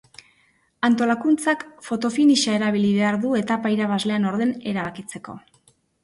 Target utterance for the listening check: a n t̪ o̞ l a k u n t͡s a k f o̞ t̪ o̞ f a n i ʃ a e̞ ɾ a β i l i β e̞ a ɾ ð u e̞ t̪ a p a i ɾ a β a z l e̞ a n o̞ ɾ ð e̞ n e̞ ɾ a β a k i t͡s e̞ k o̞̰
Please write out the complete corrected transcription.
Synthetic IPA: a n t̪ o̞ l a k u n t͡s a k f o̞ t̪ o̞ f i n i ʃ a e̞ ɾ a β i l i β e̞ a ɾ ð u e̞ t̪ a p a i ɾ a β a z l e̞ a n o̞ ɾ ð e̞ n e̞ ɾ a β a k i t͡s e̞ k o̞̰